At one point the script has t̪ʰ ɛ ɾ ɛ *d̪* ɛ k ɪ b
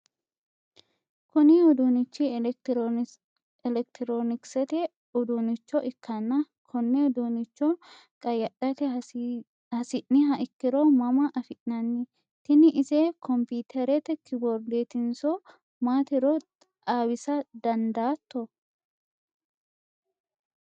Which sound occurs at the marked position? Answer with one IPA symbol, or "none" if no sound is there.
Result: t̪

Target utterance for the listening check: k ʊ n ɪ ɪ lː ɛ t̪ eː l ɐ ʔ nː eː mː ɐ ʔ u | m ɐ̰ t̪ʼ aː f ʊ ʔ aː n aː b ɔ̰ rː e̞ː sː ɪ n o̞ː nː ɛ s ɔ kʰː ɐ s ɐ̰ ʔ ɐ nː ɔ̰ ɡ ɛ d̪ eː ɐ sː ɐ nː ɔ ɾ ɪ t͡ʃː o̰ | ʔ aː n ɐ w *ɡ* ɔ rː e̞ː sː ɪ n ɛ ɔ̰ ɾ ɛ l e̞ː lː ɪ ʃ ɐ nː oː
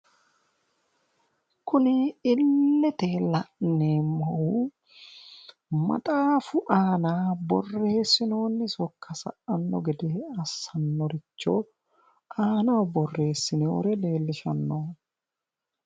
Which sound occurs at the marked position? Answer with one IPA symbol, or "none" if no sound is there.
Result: b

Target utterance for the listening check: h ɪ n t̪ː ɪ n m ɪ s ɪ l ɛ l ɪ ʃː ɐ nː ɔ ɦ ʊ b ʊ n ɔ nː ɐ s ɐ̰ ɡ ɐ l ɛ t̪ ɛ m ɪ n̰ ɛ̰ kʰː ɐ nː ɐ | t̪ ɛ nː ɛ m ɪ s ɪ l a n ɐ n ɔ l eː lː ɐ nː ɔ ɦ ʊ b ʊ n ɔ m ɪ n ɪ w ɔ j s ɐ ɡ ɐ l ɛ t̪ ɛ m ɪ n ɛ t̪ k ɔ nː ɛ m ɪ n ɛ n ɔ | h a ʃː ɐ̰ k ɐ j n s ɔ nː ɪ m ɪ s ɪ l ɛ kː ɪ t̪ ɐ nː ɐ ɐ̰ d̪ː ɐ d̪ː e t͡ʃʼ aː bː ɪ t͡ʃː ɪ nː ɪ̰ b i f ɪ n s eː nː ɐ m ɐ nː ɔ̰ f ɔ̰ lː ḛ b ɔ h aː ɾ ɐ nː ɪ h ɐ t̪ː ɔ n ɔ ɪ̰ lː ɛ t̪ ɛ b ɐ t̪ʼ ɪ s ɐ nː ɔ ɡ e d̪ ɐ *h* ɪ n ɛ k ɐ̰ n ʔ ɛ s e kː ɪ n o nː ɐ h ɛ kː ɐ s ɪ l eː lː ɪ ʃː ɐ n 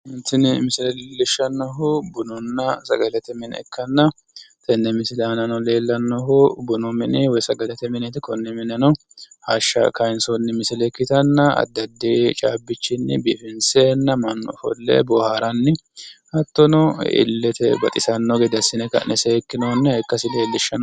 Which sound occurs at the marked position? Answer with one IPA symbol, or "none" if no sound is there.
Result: s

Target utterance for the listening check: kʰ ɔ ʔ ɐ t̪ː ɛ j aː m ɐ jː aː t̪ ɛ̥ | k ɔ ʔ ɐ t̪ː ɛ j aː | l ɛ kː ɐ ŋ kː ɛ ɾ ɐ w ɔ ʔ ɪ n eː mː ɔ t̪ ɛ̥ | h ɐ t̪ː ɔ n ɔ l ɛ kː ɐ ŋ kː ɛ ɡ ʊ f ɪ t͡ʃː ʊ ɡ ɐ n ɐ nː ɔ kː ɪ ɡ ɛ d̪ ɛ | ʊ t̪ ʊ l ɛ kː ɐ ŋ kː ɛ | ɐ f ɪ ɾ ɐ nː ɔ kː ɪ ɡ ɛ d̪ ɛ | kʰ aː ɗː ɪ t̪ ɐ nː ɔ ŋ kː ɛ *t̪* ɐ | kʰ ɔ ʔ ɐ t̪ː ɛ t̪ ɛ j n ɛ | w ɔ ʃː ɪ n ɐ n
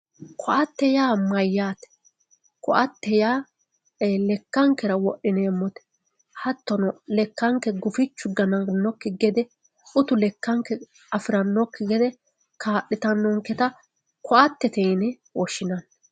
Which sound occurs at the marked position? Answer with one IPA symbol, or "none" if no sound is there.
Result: t̪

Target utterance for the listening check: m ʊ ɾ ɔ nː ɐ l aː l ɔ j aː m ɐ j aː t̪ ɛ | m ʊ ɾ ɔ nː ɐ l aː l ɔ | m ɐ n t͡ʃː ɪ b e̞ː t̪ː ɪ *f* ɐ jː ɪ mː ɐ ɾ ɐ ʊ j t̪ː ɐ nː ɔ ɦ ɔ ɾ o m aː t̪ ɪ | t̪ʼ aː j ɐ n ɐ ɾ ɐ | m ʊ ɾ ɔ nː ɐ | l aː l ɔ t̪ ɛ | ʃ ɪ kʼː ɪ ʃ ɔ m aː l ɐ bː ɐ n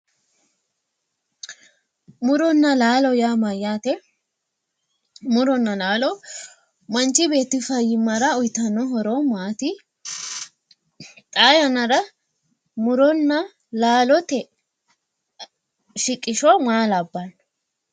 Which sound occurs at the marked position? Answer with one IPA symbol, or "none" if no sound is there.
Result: f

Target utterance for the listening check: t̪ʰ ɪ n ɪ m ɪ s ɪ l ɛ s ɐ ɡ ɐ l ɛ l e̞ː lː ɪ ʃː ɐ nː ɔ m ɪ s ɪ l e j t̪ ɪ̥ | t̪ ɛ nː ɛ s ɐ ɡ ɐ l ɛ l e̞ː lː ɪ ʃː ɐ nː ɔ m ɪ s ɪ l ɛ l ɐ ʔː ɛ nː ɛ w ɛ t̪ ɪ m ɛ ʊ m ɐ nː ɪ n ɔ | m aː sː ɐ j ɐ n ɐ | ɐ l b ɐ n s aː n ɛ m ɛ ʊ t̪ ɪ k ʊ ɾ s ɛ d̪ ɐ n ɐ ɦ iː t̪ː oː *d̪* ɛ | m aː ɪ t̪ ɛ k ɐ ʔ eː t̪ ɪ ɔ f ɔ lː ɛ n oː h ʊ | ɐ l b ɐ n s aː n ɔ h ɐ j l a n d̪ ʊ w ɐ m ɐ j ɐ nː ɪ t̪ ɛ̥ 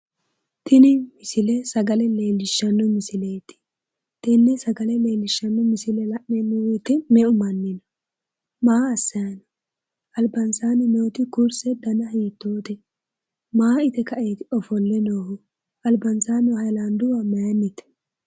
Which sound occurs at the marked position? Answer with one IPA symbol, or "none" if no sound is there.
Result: t̪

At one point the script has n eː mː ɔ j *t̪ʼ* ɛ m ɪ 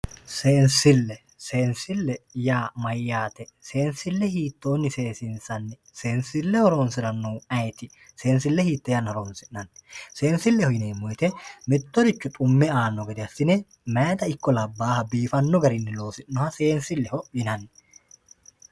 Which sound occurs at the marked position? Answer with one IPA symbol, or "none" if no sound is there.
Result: t̪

